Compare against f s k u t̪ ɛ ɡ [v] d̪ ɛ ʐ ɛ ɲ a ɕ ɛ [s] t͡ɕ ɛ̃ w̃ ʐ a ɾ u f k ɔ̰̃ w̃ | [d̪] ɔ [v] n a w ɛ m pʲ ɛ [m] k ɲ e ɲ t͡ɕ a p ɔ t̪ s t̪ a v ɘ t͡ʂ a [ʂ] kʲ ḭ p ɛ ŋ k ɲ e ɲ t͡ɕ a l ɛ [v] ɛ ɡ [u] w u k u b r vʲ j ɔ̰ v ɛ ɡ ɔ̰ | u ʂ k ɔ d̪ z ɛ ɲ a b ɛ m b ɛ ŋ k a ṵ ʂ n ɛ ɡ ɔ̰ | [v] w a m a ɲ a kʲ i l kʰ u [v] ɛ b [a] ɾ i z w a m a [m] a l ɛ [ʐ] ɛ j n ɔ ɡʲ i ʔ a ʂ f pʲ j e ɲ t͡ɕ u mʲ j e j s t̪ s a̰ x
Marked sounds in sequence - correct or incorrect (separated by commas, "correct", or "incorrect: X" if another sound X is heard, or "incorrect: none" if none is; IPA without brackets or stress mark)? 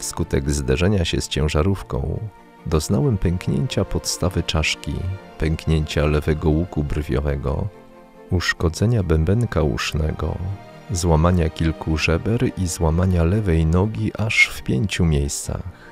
incorrect: z, correct, correct, incorrect: z, incorrect: ŋ, correct, correct, incorrect: ɔ, incorrect: z, incorrect: ʐ, incorrect: ɛ, incorrect: ɲ, incorrect: v